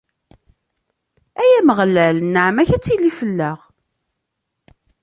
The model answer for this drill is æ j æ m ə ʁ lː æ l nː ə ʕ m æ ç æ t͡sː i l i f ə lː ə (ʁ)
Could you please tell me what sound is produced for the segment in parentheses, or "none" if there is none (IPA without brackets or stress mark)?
ʁ